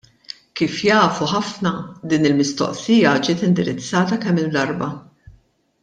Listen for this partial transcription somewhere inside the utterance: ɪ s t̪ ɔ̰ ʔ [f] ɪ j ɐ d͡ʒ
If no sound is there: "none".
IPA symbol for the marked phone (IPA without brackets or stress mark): s